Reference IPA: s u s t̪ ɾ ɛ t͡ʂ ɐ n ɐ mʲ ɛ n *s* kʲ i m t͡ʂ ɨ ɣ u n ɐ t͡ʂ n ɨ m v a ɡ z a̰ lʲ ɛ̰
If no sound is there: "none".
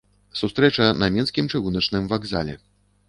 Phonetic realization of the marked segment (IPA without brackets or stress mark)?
s